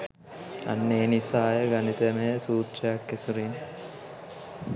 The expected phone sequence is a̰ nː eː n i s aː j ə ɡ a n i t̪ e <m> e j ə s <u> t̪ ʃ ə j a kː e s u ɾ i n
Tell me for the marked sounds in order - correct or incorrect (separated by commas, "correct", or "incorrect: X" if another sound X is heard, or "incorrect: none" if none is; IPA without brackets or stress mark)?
correct, incorrect: uː